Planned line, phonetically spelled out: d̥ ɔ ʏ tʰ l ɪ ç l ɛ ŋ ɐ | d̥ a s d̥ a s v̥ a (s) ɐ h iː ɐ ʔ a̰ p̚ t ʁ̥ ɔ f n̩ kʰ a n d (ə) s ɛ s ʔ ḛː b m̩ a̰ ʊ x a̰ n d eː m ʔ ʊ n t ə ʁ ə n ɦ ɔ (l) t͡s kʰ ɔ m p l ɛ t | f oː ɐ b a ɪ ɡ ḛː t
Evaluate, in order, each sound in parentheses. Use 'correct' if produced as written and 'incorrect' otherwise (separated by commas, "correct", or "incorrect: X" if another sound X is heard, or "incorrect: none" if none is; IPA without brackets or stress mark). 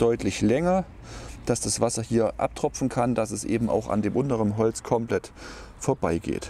correct, incorrect: a, correct